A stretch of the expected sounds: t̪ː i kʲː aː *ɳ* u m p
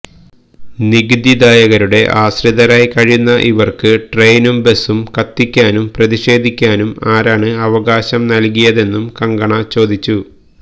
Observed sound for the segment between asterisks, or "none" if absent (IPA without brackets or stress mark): n